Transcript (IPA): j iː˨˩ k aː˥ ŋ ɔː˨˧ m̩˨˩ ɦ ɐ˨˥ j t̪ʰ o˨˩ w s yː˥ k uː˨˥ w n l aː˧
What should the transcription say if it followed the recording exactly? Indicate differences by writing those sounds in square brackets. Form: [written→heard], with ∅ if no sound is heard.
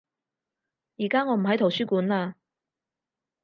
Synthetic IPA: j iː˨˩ k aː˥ ŋ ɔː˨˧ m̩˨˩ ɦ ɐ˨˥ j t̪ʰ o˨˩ w s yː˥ k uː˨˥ [w→∅] n l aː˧